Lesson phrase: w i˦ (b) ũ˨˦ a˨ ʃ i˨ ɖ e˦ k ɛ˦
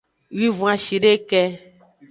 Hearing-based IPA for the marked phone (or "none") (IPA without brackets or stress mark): v